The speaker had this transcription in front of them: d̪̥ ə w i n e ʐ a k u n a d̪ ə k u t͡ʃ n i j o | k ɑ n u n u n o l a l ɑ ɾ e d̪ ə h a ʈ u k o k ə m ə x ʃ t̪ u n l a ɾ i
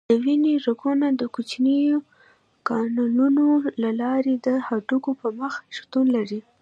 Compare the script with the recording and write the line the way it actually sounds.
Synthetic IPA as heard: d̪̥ ə w i n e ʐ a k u n a d̪ ə k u t͡ʃ n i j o | k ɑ n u n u n o l a l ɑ ɾ e d̪ ə h a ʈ u k o p ə m ə x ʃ t̪ u n l a ɾ i